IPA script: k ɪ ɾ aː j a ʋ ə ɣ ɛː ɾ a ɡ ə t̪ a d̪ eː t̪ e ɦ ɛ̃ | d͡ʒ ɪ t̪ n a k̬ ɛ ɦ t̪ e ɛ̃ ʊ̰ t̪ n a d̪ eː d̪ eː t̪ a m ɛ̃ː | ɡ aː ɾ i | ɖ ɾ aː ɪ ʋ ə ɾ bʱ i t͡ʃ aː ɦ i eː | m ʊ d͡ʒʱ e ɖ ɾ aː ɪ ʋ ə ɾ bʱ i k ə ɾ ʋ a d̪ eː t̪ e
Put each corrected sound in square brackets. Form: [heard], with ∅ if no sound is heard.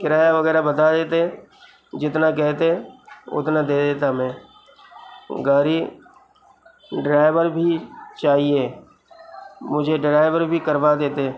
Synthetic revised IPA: k ɪ ɾ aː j a ʋ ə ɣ ɛː ɾ a [b] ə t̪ a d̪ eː t̪ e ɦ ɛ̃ | d͡ʒ ɪ t̪ n a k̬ ɛ ɦ t̪ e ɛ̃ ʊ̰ t̪ n a d̪ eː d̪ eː t̪ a m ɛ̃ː | ɡ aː ɾ i | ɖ ɾ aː ɪ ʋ ə ɾ bʱ i t͡ʃ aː ɦ i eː | m ʊ d͡ʒʱ e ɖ ɾ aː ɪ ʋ ə ɾ bʱ i k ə ɾ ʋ a d̪ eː t̪ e